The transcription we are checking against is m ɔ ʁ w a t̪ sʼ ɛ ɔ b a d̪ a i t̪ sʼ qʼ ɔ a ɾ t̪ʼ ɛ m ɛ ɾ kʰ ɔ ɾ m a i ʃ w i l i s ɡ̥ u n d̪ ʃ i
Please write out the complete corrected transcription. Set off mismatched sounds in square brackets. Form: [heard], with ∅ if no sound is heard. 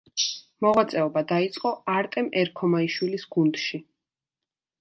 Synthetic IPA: m ɔ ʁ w a t̪ sʼ ɛ ɔ b a d̪ a i t̪ sʼ qʼ ɔ a ɾ t̪ʼ ɛ m ɛ ɾ kʰ ɔ [∅] m a i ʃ w i l i s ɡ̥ u n d̪ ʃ i